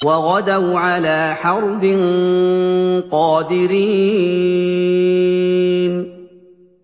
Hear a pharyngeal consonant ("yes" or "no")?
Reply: yes